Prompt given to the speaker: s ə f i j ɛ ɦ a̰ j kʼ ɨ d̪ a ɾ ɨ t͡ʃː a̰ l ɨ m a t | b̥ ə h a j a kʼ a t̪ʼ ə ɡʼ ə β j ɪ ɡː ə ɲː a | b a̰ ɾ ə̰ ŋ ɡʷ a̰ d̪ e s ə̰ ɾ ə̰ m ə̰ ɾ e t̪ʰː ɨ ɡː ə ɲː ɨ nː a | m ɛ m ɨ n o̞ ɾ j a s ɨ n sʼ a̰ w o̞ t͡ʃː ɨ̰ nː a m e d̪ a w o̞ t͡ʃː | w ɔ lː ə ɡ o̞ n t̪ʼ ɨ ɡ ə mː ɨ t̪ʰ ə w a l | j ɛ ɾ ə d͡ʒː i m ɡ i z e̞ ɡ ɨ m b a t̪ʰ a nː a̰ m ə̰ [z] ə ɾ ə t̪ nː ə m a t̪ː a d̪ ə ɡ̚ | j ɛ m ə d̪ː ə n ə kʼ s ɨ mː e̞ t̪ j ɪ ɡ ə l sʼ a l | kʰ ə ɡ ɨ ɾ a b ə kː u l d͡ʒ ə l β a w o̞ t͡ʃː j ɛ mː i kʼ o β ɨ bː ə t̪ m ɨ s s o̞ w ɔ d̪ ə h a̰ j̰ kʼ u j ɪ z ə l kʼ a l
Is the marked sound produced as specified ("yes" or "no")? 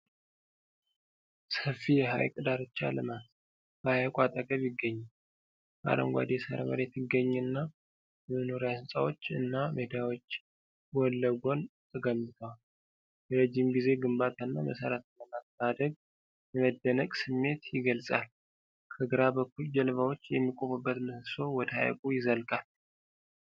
no